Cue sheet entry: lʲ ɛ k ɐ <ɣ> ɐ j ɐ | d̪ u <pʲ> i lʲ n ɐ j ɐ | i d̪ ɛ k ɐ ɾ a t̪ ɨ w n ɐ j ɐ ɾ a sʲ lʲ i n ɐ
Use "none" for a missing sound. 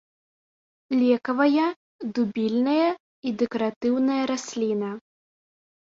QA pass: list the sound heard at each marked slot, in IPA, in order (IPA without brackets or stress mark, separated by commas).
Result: v, bʲ